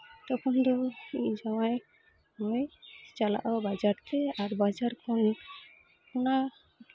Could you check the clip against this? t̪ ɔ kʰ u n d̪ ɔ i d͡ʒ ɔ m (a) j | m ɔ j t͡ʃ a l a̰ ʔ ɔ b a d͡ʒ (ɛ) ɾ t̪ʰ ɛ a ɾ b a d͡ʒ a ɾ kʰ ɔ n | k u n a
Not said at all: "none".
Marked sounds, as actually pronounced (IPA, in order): a, a

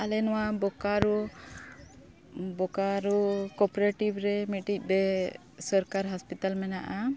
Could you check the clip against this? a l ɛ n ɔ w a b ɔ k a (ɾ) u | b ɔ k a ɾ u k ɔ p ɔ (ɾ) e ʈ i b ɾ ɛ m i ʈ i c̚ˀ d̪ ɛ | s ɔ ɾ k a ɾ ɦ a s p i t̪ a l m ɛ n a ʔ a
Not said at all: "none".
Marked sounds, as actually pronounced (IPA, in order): ɾ, ɾ

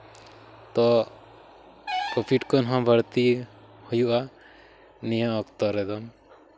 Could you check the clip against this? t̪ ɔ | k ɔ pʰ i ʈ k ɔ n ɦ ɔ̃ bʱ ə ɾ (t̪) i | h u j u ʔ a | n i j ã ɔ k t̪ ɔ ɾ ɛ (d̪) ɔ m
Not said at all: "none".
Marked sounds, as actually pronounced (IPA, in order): t̪, d̪

